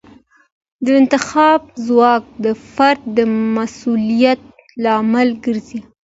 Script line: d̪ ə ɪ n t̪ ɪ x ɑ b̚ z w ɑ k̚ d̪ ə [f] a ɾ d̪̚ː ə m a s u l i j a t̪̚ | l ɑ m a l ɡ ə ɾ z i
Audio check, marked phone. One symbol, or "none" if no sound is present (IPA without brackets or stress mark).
f